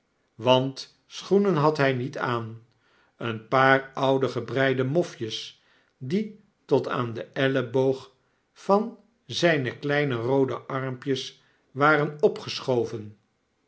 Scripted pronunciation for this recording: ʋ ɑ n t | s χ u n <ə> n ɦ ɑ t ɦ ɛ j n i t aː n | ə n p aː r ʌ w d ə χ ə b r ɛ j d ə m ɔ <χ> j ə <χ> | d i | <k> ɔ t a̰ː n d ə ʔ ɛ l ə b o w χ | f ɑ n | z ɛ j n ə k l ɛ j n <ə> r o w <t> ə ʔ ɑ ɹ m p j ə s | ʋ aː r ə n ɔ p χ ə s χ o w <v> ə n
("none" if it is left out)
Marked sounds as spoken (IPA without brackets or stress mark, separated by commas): ə, f, s, t, ə, d, v